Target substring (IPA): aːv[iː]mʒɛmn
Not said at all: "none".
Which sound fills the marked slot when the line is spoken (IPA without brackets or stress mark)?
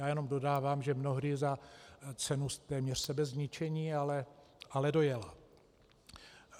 aː